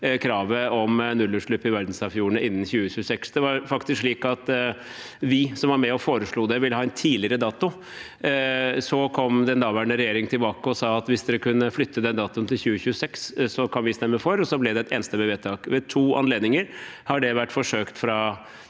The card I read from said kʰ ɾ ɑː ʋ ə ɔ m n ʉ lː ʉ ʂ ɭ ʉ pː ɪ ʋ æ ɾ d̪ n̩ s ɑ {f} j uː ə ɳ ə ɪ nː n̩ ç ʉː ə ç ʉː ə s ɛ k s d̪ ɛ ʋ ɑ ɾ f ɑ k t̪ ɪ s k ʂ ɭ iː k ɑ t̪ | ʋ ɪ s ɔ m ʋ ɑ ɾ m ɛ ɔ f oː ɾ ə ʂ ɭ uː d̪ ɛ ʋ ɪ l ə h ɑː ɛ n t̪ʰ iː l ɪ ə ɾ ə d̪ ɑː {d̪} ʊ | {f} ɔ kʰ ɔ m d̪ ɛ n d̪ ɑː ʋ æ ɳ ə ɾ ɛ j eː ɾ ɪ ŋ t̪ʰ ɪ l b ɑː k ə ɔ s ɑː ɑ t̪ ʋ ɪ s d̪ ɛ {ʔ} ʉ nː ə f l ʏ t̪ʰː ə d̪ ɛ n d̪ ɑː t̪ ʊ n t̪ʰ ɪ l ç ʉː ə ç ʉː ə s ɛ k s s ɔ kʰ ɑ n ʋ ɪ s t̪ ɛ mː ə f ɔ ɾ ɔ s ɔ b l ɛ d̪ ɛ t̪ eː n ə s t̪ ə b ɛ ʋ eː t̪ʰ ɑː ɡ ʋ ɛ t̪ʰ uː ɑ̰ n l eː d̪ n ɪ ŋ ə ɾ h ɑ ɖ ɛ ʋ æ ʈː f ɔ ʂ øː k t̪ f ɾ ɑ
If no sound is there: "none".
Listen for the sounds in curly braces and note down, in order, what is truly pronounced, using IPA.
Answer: f, t̪, s, k

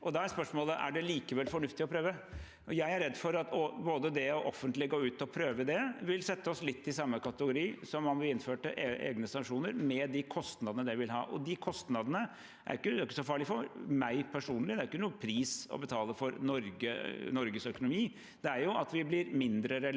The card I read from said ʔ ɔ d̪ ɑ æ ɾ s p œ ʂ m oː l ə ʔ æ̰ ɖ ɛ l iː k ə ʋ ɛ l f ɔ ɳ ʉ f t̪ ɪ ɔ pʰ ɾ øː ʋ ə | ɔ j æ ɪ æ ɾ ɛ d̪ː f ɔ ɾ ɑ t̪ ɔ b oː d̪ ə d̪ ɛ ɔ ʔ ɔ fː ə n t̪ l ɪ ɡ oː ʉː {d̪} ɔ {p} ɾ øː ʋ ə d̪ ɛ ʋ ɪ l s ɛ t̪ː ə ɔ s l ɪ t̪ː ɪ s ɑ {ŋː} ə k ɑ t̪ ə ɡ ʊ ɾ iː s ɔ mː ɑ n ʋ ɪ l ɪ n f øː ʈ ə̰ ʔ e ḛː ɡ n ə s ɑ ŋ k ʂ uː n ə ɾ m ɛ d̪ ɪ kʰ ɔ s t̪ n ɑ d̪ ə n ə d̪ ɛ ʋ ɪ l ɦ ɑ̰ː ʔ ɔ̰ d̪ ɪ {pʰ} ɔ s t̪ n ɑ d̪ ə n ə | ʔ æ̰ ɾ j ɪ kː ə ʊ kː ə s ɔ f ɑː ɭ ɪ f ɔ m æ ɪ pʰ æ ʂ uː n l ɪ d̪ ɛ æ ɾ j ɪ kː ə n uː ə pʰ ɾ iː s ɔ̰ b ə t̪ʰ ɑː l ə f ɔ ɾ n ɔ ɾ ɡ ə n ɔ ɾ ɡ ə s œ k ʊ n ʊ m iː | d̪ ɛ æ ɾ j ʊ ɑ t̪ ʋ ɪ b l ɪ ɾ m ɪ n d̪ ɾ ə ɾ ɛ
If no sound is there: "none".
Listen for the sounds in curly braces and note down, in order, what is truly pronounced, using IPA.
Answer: t̪, pʰ, mː, kʰ

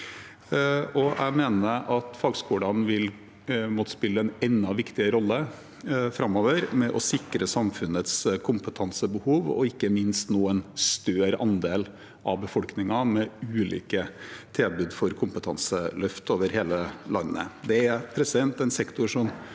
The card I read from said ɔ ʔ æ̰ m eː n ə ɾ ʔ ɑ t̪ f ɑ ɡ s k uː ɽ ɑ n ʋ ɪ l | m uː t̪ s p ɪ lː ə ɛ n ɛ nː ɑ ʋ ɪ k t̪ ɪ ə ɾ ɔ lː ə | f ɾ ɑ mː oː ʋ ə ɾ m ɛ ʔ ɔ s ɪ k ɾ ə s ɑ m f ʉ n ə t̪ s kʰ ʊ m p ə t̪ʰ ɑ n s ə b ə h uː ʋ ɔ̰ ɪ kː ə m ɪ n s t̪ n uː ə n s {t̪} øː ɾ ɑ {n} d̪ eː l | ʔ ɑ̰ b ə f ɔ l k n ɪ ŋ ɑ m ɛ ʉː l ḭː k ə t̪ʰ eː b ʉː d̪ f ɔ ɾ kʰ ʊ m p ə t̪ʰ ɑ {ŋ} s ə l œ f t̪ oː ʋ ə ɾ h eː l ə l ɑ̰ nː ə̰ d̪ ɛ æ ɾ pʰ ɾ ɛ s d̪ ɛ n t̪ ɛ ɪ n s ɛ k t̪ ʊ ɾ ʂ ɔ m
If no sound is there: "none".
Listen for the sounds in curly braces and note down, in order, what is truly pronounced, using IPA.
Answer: t̪, n, n

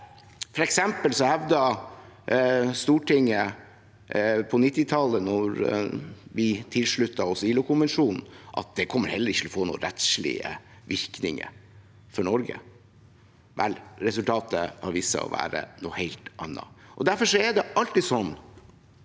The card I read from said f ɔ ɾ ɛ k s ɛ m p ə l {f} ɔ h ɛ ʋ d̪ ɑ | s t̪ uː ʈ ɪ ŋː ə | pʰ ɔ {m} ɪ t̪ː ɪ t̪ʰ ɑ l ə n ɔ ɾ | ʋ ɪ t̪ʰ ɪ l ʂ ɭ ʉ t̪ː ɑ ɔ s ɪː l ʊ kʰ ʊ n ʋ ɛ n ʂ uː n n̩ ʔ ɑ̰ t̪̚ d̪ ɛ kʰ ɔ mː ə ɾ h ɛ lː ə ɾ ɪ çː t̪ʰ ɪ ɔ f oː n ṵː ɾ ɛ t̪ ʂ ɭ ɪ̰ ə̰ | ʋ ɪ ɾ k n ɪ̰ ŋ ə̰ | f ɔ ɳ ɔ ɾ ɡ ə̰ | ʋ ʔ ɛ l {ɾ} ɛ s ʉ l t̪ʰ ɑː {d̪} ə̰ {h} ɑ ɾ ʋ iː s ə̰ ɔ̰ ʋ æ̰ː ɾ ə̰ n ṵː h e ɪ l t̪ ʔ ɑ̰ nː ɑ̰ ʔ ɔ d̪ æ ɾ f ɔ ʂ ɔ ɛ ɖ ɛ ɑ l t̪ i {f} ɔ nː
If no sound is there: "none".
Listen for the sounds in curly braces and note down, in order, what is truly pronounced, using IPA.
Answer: s, n, ɾ, t̪, h, s

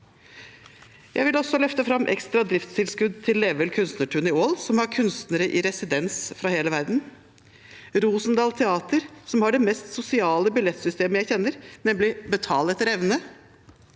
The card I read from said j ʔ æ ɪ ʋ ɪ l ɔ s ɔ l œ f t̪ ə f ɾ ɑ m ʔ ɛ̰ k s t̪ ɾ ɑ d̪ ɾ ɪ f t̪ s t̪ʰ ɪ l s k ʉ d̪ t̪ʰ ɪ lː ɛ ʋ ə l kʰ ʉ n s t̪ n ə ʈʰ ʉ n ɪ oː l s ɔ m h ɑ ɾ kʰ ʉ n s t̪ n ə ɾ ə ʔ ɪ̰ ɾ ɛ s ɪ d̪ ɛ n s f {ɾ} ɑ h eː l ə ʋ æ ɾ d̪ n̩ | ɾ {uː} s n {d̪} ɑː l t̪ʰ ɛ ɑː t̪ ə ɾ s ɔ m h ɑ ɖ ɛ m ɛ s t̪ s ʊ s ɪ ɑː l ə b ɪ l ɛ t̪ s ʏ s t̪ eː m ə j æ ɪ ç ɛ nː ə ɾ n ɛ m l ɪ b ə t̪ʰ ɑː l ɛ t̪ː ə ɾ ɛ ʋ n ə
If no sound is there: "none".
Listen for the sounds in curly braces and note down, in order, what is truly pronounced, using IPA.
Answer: ɾ, uː, d̪

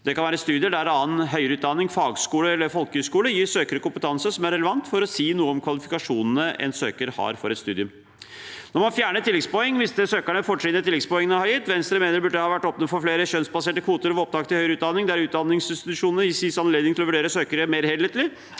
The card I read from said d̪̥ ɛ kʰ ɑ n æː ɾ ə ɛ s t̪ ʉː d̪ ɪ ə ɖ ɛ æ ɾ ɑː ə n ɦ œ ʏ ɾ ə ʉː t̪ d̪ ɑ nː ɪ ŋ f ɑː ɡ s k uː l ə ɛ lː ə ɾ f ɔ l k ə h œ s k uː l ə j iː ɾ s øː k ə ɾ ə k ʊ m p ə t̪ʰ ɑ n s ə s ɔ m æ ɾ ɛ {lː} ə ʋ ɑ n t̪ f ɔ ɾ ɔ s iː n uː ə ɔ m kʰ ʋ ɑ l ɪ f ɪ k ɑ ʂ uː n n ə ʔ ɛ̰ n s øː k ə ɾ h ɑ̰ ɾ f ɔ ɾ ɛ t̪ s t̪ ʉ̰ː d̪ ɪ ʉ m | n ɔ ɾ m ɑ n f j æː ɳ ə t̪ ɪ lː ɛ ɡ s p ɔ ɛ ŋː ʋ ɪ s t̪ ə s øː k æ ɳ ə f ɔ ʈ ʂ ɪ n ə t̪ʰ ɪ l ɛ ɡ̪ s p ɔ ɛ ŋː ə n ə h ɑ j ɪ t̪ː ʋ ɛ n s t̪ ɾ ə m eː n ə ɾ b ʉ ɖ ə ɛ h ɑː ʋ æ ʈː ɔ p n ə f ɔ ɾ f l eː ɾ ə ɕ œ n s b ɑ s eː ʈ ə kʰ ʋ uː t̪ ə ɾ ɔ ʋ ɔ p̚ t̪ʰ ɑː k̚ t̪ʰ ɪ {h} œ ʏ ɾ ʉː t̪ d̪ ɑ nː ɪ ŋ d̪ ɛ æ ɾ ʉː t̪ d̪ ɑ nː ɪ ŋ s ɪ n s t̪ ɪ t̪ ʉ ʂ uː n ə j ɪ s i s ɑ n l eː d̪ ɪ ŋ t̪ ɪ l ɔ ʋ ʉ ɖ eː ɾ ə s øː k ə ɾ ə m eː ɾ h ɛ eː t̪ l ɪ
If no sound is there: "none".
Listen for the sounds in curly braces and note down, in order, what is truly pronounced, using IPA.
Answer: l, h

